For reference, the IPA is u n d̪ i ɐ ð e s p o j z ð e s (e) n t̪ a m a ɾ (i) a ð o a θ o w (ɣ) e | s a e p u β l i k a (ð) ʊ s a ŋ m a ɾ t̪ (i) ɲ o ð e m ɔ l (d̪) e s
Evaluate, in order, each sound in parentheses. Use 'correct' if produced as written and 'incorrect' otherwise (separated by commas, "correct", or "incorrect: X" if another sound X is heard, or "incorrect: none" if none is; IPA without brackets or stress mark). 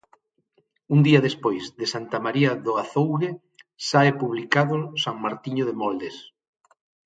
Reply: incorrect: a, correct, correct, correct, correct, correct